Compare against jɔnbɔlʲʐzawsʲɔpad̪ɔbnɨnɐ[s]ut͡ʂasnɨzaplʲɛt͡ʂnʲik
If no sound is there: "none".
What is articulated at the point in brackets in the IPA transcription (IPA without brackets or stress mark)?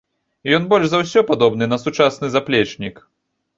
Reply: s